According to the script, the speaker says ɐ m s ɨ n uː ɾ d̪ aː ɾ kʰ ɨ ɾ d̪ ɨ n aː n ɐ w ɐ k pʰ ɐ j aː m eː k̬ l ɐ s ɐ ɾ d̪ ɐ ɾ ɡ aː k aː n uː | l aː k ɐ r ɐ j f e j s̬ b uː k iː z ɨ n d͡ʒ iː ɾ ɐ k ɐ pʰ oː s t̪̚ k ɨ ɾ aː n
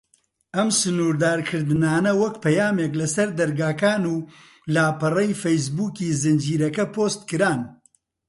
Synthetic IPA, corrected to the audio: ɐ m s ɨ n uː ɾ d̪ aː ɾ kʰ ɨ ɾ d̪ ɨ n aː n ɐ w ɐ k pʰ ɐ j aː m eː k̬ l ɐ s ɐ ɾ d̪ ɐ ɾ ɡ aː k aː n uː | l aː p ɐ r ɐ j f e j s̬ b uː k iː z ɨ n d͡ʒ iː ɾ ɐ k ɐ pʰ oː s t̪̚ k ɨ ɾ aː n